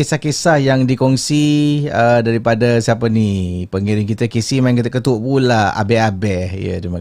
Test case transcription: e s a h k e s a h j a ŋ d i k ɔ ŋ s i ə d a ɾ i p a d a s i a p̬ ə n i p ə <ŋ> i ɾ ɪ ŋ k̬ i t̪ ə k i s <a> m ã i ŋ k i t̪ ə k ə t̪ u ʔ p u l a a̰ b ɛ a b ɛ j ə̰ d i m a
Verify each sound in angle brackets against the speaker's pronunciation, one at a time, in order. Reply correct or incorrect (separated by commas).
correct, incorrect